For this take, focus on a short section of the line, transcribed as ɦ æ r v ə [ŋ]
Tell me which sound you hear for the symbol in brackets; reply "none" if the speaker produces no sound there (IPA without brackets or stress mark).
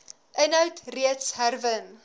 n